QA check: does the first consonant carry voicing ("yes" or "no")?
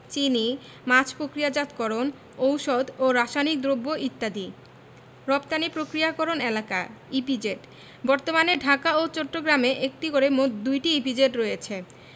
no